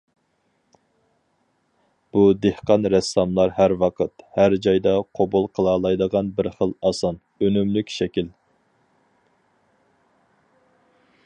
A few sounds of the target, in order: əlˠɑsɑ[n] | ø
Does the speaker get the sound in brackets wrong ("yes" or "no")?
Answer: no